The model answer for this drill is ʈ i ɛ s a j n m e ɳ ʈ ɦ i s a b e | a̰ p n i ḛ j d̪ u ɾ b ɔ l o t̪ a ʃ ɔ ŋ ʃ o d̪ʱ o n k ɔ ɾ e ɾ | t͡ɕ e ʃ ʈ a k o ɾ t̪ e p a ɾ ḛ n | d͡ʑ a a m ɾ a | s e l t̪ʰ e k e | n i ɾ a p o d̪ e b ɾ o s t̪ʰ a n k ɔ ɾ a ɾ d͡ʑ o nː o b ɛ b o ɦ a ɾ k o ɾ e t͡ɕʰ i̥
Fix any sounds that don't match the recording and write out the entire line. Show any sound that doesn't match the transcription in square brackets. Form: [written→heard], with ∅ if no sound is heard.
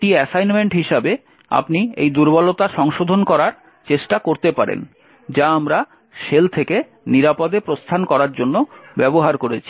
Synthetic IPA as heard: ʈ i ɛ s a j n m e ɳ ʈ ɦ i [s→ʃ] a b e | a̰ p n i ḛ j d̪ u ɾ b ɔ l o t̪ a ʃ ɔ ŋ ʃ o d̪ʱ o n k ɔ ɾ [e→a] ɾ | t͡ɕ e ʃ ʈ a k o ɾ t̪ e p a ɾ ḛ n | d͡ʑ a a m ɾ a | [s→ʃ] e l t̪ʰ e k e | n i ɾ a p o d̪ e [b→p] ɾ o s t̪ʰ a n k ɔ ɾ a ɾ d͡ʑ o nː o b ɛ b o ɦ a ɾ k o ɾ e t͡ɕʰ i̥

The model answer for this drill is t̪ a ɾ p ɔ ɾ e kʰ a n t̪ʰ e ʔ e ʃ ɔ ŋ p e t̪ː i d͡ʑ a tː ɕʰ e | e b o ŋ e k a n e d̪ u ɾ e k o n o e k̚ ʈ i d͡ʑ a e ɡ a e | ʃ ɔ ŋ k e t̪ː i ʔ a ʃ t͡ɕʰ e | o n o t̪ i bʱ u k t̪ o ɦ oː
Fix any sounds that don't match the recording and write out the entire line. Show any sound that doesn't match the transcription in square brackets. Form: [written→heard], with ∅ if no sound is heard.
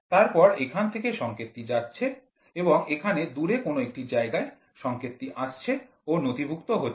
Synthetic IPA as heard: t̪ a ɾ p ɔ ɾ e kʰ a n t̪ʰ e [ʔ→k] e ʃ ɔ ŋ [p→k] e t̪ː i d͡ʑ a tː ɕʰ e | e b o ŋ e [k→kʰ] a n e d̪ u ɾ e k o n o e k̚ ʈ i d͡ʑ a e ɡ a e | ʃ ɔ ŋ k e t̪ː i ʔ a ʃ t͡ɕʰ e | o n o t̪ i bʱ u k t̪ o ɦ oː

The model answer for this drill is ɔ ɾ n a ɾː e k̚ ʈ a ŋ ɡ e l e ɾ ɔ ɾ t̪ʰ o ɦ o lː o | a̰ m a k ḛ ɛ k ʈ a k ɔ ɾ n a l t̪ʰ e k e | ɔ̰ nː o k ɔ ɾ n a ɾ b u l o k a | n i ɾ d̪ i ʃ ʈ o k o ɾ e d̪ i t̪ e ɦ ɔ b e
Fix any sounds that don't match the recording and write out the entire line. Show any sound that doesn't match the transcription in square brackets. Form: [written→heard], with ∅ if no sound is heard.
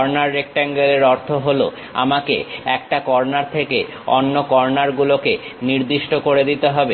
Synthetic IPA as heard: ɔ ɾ n a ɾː e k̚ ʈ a ŋ ɡ e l e ɾ ɔ ɾ t̪ʰ o ɦ o [lː→l] o | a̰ m a k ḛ ɛ k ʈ a k ɔ ɾ n a [l→ɾ] t̪ʰ e k e | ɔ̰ nː o k ɔ ɾ n a ɾ [b→ɡ] u l o k [a→e] | n i ɾ d̪ i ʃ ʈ o k o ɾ e d̪ i t̪ e ɦ ɔ b e

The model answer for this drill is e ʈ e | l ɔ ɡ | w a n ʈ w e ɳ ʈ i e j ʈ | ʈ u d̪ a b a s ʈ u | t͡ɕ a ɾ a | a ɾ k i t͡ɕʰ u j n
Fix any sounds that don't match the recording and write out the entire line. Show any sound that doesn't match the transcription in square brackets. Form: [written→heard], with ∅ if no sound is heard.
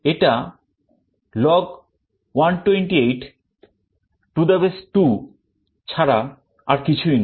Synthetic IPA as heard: e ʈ [e→a] | l ɔ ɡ | w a n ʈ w e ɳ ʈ i e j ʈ | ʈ u d̪ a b [a→e] s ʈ u | [t͡ɕ→t͡ɕʰ] a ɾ a | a ɾ k i t͡ɕʰ u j n

